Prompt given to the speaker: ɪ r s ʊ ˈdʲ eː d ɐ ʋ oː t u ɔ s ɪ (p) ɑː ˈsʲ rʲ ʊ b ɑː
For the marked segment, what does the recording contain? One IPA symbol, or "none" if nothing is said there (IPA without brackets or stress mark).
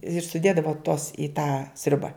t